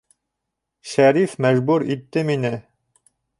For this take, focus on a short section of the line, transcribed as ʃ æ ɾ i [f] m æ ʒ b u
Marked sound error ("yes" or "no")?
no